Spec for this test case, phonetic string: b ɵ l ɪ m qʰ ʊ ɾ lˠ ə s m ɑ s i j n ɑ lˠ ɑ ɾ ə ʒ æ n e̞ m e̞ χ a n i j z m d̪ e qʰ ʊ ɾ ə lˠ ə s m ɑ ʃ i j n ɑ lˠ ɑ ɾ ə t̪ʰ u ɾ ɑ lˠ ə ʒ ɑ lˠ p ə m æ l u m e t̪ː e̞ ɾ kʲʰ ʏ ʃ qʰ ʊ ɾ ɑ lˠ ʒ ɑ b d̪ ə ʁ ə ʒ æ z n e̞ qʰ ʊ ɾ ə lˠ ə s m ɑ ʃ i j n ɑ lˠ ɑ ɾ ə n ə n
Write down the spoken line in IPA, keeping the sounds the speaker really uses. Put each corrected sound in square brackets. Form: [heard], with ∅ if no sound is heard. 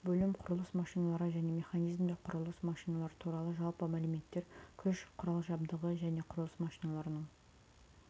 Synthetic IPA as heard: b ɵ l ɪ m qʰ ʊ ɾ lˠ ə s m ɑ [ʃ] i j n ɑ lˠ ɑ ɾ ə ʒ æ n e̞ m e̞ χ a n i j z m d̪ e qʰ ʊ ɾ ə lˠ ə s m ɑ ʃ i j n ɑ lˠ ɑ ɾ ə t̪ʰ u ɾ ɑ lˠ ə ʒ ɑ lˠ p ə m æ l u m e t̪ː e̞ ɾ kʲʰ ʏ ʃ qʰ ʊ ɾ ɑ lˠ ʒ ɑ b d̪ ə ʁ ə ʒ æ [∅] n e̞ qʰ ʊ ɾ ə lˠ ə s m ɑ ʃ i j n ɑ lˠ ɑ ɾ ə n ə [ɴ]